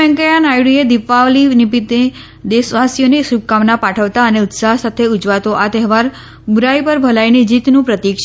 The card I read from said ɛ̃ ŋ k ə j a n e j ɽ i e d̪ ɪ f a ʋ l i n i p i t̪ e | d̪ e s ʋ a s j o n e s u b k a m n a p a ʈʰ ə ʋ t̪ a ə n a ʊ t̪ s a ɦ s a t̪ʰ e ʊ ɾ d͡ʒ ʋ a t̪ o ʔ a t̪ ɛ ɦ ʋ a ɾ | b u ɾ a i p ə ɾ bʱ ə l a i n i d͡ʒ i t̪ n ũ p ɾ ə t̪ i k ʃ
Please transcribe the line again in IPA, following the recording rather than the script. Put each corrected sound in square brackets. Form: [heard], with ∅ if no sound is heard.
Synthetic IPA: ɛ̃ ŋ k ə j a n [a] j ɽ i e d̪ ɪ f a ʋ l i n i p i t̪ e | d̪ e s ʋ a s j o n e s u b k a m n a p a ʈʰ ə ʋ t̪ a ə n [e] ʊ t̪ s a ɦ s a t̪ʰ e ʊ [∅] d͡ʒ ʋ a t̪ o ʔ a t̪ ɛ ɦ ʋ a ɾ | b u ɾ a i p ə ɾ bʱ ə l a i n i d͡ʒ i t̪ n ũ p ɾ ə t̪ i k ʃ